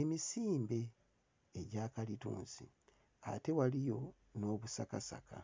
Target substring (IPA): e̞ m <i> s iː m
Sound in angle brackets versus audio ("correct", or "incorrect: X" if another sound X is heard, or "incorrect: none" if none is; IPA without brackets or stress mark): correct